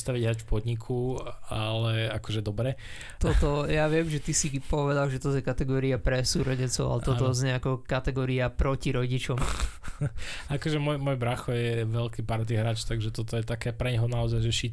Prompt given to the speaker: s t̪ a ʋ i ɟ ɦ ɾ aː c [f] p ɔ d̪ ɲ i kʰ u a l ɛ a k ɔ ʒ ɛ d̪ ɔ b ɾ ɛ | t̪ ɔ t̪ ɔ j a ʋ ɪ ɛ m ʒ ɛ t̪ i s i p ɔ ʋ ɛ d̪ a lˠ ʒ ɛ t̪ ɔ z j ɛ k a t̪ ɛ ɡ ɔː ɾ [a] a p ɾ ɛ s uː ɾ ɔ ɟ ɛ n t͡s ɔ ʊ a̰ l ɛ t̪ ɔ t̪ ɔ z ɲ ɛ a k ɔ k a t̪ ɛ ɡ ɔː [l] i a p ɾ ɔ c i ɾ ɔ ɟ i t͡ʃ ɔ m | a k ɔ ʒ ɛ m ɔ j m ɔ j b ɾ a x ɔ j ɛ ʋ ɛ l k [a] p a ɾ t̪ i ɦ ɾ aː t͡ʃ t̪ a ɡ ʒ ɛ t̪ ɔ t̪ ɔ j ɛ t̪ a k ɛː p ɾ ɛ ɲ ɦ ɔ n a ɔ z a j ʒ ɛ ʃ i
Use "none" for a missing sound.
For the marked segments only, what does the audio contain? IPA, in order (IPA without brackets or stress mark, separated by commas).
f, i, ɾ, i